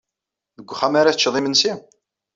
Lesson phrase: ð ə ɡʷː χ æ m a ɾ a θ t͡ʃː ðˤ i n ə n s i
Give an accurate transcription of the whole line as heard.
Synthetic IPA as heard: ð ə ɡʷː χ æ m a ɾ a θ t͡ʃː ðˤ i m ə n s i